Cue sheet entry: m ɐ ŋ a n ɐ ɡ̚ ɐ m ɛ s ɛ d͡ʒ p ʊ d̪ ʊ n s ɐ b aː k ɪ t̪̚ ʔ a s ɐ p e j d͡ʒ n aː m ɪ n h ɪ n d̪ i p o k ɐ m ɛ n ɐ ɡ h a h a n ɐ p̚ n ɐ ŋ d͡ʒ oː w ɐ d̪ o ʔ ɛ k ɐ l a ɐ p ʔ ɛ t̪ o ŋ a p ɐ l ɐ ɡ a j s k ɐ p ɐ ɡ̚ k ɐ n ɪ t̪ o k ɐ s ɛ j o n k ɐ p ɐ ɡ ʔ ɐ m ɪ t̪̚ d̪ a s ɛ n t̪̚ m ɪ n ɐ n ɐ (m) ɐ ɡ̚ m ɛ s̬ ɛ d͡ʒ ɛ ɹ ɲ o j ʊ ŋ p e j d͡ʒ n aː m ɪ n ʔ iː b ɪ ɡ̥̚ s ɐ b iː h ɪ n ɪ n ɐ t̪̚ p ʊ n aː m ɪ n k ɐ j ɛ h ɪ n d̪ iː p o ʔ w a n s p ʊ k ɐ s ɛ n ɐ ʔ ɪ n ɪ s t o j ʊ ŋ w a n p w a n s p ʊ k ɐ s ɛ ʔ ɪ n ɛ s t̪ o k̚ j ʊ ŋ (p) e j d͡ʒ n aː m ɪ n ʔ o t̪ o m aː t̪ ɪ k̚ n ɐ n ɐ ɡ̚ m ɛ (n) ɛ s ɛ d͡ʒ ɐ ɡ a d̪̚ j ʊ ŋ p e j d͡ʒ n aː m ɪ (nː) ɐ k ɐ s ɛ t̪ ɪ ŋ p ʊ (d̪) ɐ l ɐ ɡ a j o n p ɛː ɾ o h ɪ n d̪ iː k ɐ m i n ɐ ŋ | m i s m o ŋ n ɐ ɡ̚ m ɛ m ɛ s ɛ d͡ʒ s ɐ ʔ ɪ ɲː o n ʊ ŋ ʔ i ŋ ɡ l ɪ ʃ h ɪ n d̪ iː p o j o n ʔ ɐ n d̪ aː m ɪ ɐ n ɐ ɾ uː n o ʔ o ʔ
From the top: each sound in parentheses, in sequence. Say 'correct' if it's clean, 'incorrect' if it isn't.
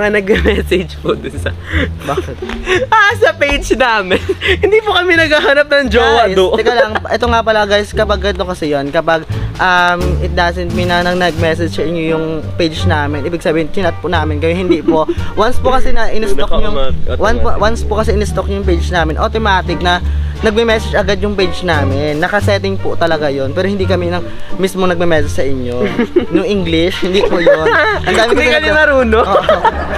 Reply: incorrect: n, correct, incorrect: m, correct, incorrect: t̪

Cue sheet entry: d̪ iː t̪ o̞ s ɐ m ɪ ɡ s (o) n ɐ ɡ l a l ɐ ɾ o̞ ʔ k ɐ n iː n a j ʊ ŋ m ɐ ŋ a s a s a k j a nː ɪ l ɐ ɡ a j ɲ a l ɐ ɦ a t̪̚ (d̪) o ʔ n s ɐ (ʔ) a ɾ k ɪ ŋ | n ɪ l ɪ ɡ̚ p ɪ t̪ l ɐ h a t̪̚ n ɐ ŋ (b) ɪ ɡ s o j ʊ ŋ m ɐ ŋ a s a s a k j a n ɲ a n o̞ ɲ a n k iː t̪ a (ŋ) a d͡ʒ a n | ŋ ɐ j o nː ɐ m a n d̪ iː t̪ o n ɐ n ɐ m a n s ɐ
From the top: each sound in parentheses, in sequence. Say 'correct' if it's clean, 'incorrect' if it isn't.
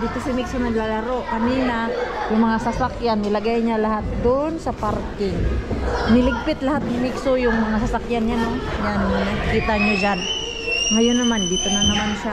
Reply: correct, correct, incorrect: p, incorrect: m, incorrect: ɲ

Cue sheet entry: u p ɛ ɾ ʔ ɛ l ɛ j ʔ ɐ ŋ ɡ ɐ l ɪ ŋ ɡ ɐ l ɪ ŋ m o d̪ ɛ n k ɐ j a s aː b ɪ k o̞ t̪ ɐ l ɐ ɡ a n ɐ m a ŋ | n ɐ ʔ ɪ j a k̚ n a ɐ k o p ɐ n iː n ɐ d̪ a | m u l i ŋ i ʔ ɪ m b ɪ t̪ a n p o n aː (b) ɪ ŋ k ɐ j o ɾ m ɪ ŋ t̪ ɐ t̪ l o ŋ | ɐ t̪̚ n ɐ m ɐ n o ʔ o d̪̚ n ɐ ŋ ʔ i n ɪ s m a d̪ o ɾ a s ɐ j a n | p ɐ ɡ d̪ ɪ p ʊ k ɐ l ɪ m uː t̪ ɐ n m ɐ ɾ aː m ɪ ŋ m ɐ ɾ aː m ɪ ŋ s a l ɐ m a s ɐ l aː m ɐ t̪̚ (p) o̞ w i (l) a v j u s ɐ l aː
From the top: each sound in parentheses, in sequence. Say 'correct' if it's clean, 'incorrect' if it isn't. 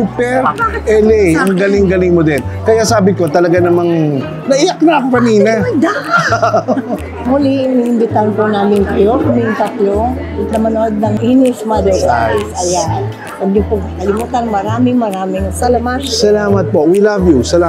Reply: incorrect: m, correct, correct

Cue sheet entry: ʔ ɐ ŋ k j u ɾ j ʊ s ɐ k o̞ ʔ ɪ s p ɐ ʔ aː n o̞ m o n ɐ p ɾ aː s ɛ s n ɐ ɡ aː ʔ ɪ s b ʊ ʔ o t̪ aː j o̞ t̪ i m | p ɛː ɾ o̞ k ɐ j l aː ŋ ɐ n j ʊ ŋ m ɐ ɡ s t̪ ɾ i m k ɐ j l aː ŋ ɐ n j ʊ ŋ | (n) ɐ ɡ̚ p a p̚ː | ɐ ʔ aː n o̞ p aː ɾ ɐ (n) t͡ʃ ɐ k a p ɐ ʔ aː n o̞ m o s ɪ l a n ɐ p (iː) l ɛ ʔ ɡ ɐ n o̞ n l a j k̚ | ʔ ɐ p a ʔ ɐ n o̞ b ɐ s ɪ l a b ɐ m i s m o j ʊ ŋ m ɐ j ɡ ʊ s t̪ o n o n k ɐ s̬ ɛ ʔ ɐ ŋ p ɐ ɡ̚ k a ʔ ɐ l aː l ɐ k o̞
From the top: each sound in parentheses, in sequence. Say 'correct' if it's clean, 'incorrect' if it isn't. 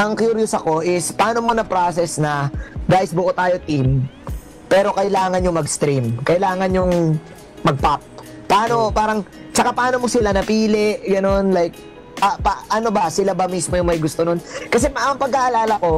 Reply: incorrect: m, incorrect: ŋ, correct

